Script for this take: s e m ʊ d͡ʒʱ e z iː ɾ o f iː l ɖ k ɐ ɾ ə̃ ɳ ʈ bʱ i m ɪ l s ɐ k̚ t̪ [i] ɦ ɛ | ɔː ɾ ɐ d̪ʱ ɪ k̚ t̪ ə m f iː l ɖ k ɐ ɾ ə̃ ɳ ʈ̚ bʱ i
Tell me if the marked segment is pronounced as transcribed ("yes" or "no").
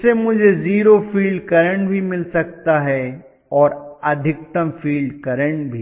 no